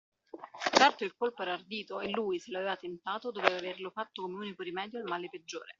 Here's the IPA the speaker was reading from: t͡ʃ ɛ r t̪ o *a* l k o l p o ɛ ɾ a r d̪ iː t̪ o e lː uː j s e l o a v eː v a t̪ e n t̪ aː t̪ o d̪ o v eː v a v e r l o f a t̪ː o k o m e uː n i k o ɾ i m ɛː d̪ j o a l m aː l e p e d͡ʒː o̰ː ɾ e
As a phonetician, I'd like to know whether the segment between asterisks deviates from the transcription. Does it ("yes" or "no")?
yes